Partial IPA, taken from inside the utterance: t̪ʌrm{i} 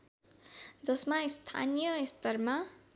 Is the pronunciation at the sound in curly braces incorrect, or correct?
incorrect: a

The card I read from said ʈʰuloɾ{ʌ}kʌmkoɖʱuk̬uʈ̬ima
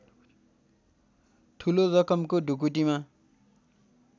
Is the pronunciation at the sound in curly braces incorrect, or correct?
correct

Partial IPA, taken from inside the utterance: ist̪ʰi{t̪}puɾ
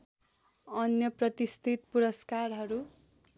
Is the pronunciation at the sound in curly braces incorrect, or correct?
correct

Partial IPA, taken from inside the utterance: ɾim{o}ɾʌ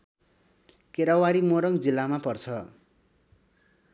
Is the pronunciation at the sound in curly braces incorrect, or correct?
correct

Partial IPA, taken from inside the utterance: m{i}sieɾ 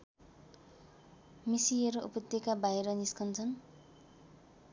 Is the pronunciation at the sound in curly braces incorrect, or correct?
correct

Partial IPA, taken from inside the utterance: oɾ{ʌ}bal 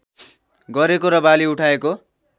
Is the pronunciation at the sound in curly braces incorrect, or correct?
correct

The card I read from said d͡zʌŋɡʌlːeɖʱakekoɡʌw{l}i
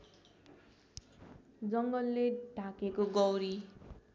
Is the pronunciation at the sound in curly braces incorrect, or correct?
incorrect: ɾ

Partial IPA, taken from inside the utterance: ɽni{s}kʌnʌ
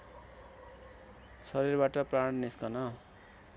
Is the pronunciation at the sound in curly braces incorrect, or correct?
correct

